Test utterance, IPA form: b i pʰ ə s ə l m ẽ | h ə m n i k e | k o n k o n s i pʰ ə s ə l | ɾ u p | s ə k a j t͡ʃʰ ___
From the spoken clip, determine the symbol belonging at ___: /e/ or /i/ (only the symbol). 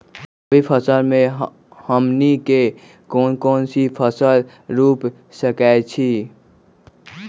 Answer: i